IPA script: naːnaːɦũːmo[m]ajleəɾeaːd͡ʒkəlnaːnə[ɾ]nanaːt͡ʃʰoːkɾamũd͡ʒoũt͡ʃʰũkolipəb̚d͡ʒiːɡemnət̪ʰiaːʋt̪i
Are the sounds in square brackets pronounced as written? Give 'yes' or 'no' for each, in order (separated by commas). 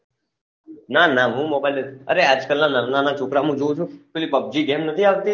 no, yes